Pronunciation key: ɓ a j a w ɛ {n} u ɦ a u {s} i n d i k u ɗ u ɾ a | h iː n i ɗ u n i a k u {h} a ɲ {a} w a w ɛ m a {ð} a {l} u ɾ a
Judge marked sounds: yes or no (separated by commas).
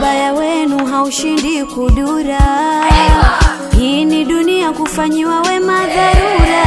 yes, no, no, no, yes, no